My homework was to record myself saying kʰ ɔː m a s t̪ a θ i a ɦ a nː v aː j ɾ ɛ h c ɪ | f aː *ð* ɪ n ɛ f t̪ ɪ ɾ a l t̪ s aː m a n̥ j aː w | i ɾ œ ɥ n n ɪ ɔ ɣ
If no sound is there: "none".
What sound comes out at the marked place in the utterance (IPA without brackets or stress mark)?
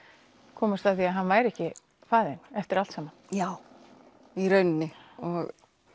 ð